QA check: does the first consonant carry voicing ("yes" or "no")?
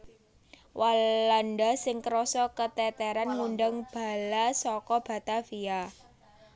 yes